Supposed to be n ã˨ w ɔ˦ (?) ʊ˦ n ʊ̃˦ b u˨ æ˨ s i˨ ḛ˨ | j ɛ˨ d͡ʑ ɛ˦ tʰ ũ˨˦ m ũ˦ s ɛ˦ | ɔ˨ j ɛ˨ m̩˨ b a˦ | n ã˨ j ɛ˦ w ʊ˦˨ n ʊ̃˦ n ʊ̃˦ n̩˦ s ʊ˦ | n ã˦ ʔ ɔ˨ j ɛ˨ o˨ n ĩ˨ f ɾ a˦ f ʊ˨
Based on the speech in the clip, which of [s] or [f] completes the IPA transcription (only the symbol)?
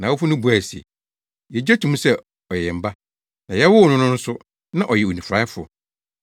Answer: f